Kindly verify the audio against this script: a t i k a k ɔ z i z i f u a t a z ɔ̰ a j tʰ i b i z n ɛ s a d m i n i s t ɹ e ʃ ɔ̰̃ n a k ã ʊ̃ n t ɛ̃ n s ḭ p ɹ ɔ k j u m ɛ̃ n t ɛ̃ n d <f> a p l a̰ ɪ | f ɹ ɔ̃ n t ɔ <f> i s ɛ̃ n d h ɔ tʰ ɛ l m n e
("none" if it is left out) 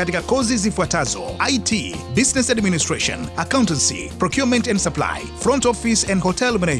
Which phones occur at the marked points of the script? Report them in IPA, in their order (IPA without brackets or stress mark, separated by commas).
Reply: s, f